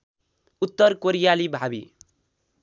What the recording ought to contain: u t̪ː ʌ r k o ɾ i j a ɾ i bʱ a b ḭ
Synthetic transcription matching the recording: u t̪ː ʌ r k o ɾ i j a l i bʱ a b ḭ